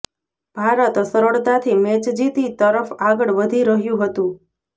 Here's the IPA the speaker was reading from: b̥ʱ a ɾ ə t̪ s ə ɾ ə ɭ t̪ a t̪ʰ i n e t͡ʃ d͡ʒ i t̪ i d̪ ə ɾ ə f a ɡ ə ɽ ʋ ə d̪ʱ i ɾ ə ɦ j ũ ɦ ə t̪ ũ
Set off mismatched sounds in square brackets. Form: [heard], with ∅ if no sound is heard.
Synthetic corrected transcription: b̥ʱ a ɾ ə t̪ s ə ɾ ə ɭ t̪ a t̪ʰ i [m] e t͡ʃ d͡ʒ i t̪ i [t̪] ə ɾ ə f a ɡ ə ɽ ʋ ə d̪ʱ i ɾ ə ɦ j ũ ɦ ə t̪ ũ